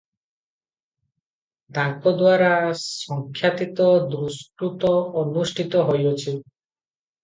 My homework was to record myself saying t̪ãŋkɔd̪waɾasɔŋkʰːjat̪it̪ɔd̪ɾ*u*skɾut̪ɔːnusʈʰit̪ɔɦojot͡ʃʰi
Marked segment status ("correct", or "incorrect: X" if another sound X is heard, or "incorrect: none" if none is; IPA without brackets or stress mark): correct